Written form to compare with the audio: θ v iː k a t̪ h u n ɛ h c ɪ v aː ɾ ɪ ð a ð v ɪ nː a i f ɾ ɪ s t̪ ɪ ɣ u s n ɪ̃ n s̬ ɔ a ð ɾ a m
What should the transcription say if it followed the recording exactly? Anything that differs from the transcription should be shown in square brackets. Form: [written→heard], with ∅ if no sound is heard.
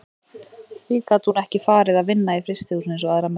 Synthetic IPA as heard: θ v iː k a t̪ h u n ɛ h c ɪ [v→f] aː ɾ ɪ ð a ð v ɪ nː a i f ɾ ɪ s t̪ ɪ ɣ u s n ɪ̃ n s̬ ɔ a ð ɾ a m